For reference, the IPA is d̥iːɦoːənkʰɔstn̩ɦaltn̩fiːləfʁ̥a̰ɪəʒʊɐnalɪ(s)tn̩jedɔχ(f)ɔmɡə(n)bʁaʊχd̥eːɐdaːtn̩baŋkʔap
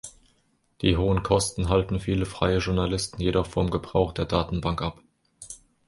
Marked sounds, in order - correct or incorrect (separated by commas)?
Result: correct, correct, incorrect